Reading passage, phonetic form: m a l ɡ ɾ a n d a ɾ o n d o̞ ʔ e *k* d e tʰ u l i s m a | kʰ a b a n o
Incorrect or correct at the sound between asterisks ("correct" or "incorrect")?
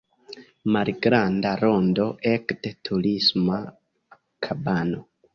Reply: correct